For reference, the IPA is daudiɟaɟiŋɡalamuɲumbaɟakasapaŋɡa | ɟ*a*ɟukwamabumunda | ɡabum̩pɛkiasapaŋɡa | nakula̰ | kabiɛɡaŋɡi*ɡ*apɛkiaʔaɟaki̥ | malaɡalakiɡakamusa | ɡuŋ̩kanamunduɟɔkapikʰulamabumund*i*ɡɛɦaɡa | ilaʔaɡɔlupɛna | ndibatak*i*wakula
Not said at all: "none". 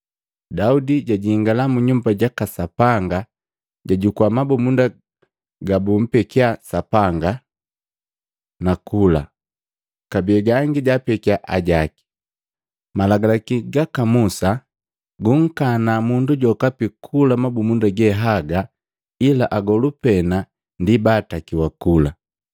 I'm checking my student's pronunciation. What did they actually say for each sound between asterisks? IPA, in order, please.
a, ɟ, a, i

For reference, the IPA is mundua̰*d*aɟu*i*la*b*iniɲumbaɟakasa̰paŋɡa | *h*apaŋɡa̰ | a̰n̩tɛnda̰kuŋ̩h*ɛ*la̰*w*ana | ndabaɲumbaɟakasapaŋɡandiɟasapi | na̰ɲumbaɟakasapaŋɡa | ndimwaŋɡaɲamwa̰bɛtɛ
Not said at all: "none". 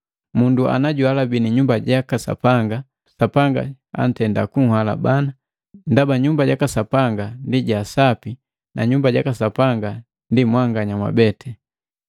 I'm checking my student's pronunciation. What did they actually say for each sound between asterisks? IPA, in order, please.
n, a, b, s, a, b

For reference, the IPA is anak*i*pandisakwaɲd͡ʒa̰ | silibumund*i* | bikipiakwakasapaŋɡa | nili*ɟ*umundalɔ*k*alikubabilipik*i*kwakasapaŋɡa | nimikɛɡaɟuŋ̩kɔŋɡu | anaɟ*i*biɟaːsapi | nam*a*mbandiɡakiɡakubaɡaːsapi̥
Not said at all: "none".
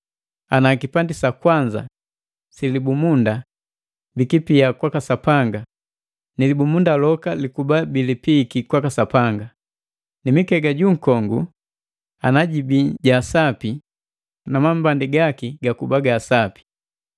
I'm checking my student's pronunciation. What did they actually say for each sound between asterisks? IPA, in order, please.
i, a, b, k, i, i, a

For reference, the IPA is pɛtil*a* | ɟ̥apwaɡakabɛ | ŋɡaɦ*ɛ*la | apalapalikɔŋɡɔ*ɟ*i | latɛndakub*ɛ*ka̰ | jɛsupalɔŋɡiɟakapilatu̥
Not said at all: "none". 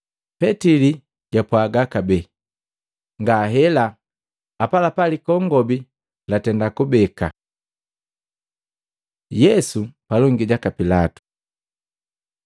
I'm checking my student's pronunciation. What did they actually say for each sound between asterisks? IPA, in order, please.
i, ɛ, b, ɛ

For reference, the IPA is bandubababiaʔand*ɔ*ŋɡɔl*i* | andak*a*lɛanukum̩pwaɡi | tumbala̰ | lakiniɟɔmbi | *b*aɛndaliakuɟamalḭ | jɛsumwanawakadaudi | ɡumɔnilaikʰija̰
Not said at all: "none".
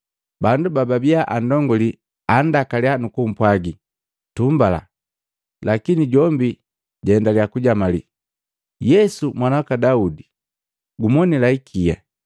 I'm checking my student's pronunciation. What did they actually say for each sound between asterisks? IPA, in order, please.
ɔ, i, a, ɟ

